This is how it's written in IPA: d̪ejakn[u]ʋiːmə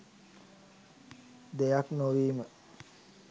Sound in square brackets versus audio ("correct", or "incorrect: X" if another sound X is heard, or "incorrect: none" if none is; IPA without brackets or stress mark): incorrect: o